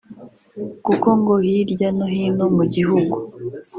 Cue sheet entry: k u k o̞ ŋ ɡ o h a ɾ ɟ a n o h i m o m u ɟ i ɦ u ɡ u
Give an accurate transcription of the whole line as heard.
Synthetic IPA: k u k o̞ ŋ ɡ o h i ɾ ɟ a n o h i n o m u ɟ i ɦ u ɡ u